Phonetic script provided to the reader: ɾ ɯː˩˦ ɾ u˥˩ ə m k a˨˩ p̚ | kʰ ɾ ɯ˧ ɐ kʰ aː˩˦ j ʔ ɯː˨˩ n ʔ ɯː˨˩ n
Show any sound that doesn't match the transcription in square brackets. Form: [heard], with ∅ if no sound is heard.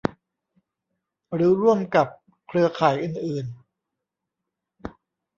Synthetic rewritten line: ɾ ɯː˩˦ ɾ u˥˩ ə m k a˨˩ p̚ | kʰ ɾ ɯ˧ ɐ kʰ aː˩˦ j ʔ ɯː˨˩ n ʔ ɯː˨˩ n